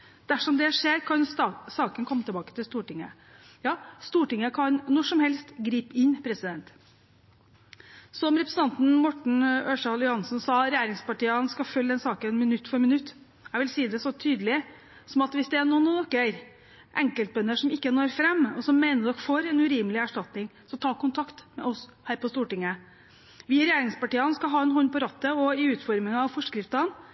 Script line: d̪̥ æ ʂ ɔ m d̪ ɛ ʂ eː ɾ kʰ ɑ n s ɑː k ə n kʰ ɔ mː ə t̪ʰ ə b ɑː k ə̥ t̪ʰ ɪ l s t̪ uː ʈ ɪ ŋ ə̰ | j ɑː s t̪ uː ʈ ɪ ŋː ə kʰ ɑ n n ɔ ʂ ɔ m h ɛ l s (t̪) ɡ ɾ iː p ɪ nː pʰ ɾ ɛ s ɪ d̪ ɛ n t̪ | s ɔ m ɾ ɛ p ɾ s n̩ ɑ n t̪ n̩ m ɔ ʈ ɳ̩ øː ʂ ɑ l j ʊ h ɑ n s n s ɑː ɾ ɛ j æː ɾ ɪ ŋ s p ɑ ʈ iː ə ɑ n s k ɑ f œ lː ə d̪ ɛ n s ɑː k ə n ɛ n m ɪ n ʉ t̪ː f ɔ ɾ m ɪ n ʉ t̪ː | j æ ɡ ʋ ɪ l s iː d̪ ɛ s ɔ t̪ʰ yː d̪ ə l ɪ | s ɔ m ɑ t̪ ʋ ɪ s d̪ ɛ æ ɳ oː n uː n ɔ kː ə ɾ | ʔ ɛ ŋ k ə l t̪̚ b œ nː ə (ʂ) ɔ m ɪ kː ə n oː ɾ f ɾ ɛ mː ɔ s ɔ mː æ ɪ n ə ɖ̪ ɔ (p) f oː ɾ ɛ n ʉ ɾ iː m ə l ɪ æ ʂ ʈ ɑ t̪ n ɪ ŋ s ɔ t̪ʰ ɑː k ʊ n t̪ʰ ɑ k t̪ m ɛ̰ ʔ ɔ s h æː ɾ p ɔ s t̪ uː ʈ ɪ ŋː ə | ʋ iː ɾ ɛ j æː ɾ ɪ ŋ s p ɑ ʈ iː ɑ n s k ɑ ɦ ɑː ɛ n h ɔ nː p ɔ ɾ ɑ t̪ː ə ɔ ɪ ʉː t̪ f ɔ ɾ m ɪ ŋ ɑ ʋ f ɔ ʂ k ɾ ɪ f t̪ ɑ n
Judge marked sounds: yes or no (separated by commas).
yes, yes, no